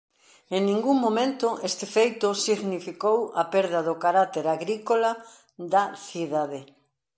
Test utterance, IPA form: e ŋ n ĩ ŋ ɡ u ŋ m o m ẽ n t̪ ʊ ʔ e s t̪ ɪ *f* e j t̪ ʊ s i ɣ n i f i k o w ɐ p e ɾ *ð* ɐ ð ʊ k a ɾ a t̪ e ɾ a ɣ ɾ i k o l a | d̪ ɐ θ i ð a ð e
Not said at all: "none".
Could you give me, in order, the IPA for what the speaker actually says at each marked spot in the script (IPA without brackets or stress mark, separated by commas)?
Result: f, ð